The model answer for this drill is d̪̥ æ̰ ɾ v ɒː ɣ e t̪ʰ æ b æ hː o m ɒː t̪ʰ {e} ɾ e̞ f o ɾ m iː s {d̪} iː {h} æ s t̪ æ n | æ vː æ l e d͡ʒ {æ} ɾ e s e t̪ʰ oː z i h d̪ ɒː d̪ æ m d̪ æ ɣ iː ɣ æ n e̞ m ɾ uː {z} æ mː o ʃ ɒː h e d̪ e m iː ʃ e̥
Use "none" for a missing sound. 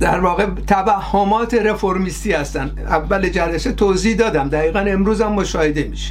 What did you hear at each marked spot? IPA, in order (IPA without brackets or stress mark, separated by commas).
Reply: e, t̪, h, æ, z